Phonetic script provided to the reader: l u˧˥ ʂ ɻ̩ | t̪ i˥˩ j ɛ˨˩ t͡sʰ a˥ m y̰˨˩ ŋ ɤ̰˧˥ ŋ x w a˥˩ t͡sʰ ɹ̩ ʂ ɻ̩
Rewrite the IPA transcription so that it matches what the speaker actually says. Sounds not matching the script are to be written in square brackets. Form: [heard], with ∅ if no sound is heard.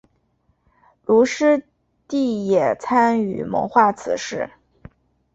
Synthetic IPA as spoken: l u˧˥ ʂ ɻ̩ | t̪ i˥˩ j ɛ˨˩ t͡sʰ a˥ [n] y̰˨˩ [m] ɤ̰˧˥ ŋ x w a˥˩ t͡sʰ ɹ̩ ʂ ɻ̩